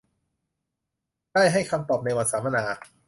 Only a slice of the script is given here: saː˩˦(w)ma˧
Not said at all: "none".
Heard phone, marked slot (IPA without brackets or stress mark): none